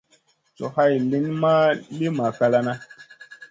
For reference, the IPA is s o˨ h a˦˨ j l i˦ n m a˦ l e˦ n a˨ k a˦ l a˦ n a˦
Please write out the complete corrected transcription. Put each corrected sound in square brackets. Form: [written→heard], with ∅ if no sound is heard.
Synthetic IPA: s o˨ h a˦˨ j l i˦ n m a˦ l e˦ [n→m] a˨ k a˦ l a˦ n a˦

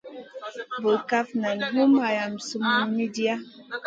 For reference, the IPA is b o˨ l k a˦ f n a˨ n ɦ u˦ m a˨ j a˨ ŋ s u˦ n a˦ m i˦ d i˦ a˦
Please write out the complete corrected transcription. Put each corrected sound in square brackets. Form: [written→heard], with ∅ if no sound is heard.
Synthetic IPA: b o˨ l k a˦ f n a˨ n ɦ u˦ m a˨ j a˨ [ŋ→m] s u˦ [n→m] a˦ m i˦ d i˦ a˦

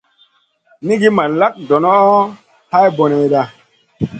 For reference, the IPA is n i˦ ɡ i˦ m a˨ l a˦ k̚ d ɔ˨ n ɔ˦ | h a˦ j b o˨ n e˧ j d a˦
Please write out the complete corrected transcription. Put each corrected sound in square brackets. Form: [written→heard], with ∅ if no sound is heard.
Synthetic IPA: n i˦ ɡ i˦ m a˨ l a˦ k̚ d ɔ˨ n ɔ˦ | h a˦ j b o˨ n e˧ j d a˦

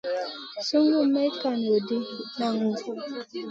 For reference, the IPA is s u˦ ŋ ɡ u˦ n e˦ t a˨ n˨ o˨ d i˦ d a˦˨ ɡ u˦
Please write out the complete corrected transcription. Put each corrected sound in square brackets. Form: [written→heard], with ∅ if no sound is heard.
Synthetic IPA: s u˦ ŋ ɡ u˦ [n→m] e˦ [t→k] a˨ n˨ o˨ d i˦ [d→n] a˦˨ [ɡ→ŋ] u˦

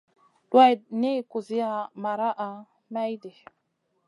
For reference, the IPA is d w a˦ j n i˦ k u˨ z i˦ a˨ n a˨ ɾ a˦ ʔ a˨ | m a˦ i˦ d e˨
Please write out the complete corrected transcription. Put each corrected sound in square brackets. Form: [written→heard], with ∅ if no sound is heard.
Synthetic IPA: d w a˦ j n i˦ k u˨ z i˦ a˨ [n→m] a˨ ɾ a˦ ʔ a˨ | m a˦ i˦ d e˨

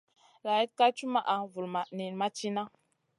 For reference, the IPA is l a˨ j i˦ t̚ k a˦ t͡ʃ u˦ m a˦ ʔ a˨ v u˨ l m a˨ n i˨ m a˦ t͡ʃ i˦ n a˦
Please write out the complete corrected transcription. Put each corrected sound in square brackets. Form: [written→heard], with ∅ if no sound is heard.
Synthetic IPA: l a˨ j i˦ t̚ k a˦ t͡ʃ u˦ m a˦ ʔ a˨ v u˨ l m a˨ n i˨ m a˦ t͡ʃ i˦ n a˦

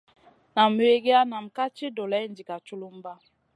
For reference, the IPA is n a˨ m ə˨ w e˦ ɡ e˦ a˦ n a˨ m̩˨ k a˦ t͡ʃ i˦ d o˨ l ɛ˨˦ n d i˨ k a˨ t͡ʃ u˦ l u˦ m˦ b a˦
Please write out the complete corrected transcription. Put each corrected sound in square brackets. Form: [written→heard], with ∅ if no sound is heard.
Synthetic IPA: n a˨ m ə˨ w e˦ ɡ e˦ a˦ n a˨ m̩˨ k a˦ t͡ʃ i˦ d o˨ l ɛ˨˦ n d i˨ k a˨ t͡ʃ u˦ l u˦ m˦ b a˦

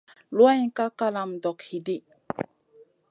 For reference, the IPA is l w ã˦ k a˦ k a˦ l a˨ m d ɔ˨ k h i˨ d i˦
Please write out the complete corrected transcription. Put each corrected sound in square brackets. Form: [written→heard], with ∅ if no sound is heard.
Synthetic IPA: l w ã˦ k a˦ k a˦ l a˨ m d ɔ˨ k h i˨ d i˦

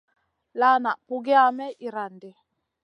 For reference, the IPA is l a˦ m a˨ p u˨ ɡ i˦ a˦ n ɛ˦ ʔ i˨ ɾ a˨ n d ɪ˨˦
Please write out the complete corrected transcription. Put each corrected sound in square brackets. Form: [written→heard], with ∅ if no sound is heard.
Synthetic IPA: l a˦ [m→n] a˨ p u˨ ɡ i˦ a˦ [n→m] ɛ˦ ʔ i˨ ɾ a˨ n d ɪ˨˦

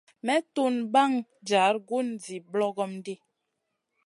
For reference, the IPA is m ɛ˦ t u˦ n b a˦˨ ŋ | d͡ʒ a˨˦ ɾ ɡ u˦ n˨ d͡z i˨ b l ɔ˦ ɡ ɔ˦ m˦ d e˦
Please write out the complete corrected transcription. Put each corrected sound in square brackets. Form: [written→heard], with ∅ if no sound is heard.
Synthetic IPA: m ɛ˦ t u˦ n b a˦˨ ŋ | d͡ʒ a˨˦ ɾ ɡ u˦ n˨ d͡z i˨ b l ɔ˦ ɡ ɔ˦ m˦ d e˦

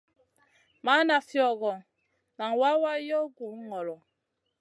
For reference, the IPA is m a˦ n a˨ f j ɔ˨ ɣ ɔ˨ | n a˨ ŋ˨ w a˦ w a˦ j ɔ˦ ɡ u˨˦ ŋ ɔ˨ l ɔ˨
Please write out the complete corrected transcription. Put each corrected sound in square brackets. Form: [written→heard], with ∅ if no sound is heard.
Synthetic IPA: m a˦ n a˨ f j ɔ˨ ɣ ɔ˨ | n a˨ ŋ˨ w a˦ w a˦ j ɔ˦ ɡ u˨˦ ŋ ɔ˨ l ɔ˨

